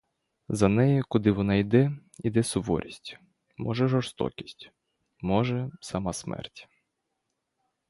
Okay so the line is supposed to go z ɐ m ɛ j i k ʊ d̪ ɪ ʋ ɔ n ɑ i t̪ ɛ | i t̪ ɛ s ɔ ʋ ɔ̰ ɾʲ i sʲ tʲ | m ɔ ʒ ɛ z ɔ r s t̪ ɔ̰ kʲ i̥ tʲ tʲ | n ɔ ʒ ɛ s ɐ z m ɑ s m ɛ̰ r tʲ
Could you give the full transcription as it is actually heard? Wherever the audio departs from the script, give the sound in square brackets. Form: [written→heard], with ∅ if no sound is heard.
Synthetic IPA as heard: z ɐ [m→n] ɛ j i k ʊ d̪ ɪ ʋ ɔ n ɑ i [t̪→d̪] ɛ | i [t̪→d̪] ɛ s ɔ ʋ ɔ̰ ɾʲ i sʲ tʲ | m ɔ ʒ ɛ [z→ʒ] ɔ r s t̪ ɔ̰ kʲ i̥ [tʲ→sʲ] tʲ | [n→m] ɔ ʒ ɛ s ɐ [z→∅] m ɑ s m ɛ̰ r tʲ